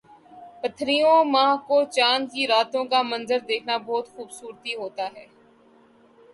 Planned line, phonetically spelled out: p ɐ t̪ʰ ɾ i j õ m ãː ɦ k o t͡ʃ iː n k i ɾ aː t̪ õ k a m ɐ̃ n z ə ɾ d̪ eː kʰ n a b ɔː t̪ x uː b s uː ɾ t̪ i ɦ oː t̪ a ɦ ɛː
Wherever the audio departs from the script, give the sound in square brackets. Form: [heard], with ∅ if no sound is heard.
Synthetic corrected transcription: p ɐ t̪ʰ ɾ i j õ m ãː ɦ k o t͡ʃ [aː] n k i ɾ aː t̪ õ k a m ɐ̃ n z ə ɾ d̪ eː kʰ n a b ɔː t̪ x uː b s uː ɾ t̪ i ɦ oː t̪ a ɦ ɛː